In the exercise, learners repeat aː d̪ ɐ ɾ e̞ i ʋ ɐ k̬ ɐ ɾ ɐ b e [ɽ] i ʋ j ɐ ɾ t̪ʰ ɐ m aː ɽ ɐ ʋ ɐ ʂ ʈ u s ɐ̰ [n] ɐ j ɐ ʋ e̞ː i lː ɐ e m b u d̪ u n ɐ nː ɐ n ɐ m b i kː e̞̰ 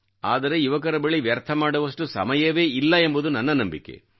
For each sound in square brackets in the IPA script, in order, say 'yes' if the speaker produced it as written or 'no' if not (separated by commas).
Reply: no, no